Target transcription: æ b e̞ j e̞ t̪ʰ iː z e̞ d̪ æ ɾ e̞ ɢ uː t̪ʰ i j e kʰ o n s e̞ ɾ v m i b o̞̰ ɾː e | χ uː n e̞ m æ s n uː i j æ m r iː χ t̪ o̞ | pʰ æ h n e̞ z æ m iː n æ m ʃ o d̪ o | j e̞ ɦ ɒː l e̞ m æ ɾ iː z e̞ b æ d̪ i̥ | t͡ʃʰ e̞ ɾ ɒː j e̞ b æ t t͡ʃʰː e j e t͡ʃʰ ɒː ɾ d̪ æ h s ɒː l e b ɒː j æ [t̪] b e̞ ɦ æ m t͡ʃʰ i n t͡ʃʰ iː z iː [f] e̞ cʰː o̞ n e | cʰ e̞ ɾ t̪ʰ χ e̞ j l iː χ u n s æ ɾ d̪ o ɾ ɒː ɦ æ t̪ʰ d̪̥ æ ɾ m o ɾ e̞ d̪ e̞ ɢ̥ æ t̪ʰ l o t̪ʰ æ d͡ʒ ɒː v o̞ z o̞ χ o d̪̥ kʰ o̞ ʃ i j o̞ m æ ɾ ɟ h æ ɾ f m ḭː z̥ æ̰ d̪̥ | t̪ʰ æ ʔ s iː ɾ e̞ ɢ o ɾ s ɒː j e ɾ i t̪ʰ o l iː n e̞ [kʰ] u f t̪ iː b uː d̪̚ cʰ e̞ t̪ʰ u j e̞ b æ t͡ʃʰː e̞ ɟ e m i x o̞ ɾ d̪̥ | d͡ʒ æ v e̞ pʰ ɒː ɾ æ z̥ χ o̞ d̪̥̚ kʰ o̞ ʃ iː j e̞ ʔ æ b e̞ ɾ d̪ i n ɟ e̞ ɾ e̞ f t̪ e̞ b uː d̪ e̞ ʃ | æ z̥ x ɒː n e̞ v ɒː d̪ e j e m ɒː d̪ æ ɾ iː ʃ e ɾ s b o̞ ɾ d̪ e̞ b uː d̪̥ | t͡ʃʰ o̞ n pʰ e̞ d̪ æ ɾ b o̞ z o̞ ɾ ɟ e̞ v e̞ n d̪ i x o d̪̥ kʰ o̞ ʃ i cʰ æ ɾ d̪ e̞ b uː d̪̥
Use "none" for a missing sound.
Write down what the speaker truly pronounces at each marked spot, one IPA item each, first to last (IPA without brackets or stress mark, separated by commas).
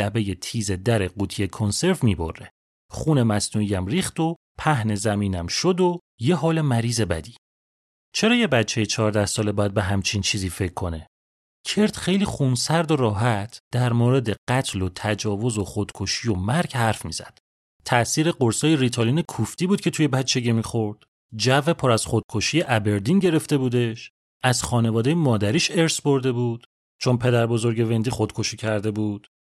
d̪, f, kʰ